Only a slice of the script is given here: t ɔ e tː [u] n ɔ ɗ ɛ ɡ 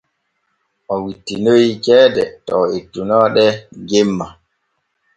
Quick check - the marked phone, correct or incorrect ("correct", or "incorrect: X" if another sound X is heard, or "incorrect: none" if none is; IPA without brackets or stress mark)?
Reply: correct